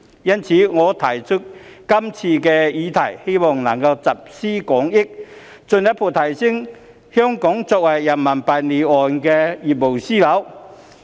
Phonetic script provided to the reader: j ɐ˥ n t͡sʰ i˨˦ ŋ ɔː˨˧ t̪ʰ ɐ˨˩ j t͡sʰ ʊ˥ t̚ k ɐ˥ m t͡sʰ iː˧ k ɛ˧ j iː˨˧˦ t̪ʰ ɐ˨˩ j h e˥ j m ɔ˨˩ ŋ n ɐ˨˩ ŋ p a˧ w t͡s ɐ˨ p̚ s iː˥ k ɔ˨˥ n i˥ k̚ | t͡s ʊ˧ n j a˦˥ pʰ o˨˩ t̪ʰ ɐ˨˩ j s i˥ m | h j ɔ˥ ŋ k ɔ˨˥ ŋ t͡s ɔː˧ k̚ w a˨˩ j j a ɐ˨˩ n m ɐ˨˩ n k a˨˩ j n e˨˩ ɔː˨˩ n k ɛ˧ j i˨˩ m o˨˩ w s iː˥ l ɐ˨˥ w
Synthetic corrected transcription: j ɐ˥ n t͡sʰ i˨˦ ŋ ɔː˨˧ t̪ʰ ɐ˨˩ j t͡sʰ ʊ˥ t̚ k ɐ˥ m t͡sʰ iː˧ k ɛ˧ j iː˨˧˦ t̪ʰ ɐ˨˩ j h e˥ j m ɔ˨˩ ŋ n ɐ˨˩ ŋ k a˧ w t͡s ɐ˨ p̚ s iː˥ k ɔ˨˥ ŋ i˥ k̚ | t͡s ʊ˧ n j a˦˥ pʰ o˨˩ t̪ʰ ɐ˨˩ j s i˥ ŋ | h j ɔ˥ ŋ k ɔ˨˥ ŋ t͡s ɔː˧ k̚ w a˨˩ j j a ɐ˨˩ n m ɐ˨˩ n p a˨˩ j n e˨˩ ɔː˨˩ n k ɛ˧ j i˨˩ m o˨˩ w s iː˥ l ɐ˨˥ w